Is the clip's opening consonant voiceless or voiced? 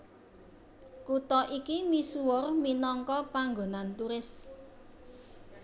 voiceless